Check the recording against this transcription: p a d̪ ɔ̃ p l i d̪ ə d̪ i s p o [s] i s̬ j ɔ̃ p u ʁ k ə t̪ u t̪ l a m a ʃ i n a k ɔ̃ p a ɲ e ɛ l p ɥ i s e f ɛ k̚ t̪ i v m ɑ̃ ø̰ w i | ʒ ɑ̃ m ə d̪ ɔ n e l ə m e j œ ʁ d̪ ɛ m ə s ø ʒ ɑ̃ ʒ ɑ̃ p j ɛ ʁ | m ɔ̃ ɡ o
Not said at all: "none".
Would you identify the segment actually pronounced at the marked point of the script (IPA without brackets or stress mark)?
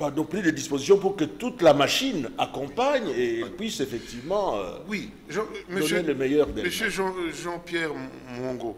z